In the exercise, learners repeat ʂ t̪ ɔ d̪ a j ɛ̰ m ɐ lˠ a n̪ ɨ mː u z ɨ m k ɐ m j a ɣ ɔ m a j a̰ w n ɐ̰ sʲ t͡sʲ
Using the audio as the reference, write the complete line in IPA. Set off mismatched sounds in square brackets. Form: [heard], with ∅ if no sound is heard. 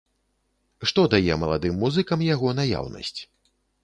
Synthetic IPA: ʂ t̪ ɔ d̪ a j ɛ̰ m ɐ lˠ a [d̪] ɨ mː u z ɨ [∅] k ɐ m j a ɣ ɔ [n] a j a̰ w n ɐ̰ sʲ t͡sʲ